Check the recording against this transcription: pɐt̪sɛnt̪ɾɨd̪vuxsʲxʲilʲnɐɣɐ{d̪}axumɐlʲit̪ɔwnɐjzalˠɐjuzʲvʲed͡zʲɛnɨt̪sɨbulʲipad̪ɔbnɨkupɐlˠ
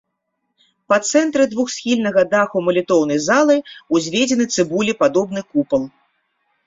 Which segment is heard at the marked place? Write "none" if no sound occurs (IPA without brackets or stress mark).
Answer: d̪